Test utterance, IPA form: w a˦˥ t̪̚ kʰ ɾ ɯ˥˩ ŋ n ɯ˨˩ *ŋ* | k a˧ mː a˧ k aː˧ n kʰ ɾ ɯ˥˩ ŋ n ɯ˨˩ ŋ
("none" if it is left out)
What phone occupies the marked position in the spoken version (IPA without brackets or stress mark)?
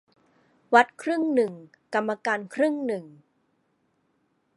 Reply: ŋ